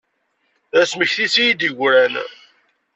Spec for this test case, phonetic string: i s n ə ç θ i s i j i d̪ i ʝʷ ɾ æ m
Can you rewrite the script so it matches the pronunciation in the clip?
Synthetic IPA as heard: æ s m ə ç θ i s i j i d̪ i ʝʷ ɾ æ n